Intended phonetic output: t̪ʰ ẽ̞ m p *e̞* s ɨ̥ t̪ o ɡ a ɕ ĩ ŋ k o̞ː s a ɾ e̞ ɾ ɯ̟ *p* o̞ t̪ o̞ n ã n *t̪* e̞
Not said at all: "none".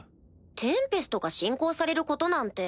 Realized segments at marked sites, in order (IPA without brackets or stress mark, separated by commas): e̞, k, t̪